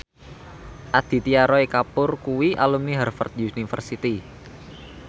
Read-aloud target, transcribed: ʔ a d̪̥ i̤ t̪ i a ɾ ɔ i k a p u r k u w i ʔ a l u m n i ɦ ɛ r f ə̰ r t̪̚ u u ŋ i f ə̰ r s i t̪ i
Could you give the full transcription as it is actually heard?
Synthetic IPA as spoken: ʔ a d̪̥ i̤ t̪ i a ɾ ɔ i k a p ʊ r k u w i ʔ a l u m n i ɦ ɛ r f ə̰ r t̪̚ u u n i f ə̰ r s i t̪ i